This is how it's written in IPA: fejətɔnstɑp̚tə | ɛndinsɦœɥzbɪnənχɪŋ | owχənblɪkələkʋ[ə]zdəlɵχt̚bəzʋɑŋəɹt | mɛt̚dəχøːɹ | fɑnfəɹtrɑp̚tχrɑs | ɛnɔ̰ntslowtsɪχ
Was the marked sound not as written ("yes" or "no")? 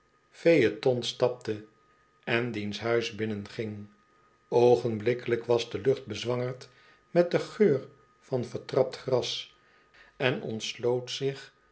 yes